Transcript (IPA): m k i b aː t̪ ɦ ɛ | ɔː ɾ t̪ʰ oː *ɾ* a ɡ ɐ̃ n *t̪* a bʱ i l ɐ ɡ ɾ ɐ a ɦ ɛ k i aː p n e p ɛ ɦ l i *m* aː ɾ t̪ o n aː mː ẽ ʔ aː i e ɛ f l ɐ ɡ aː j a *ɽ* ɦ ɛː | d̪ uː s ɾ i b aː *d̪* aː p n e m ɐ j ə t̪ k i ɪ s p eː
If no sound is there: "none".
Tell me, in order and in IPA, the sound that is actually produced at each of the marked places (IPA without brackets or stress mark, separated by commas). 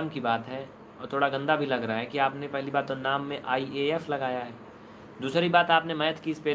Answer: ɽ, d̪, b, none, t̪